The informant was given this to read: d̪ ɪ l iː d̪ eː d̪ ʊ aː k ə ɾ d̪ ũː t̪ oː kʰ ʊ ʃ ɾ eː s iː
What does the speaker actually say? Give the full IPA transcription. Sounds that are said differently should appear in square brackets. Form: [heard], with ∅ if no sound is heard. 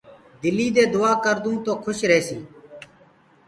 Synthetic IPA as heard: d̪ ɪ l iː d̪ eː d̪ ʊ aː k ə ɾ d̪ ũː t̪ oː kʰ ʊ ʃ ɾ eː s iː